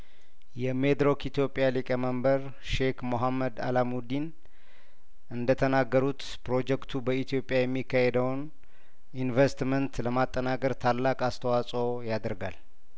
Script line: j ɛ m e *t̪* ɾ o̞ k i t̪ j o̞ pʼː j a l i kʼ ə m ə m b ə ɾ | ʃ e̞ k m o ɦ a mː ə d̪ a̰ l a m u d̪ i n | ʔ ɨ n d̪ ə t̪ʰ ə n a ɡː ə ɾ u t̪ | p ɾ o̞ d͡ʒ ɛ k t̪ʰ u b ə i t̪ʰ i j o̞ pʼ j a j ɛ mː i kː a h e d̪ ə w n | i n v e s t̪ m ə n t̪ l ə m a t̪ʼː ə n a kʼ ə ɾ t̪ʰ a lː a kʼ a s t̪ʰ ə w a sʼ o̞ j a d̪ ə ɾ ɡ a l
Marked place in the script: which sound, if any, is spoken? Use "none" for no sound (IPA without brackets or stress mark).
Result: d̪